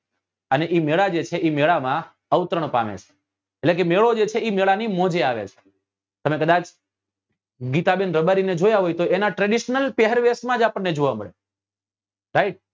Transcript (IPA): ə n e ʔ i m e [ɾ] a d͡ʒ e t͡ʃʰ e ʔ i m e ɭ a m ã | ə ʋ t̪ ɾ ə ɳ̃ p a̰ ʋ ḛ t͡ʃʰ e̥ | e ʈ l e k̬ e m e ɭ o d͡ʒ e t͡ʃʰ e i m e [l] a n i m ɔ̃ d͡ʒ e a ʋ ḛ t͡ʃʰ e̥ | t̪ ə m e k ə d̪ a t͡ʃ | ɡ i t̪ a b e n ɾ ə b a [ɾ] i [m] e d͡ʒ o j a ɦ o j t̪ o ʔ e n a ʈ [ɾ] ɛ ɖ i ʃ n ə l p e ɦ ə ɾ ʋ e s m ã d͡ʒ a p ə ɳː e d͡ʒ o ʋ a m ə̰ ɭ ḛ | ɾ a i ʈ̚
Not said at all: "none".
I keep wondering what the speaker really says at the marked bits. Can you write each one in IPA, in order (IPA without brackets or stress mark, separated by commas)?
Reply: ɭ, ɭ, ɾ, n, ɾ